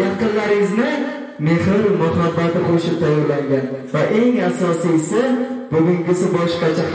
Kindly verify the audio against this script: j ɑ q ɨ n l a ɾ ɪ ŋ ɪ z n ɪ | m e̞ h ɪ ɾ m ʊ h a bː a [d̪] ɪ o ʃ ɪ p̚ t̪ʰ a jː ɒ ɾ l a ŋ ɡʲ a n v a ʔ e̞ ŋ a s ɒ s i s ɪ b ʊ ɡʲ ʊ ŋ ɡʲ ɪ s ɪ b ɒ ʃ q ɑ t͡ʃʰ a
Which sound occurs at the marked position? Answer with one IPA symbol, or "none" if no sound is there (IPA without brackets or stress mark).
t̪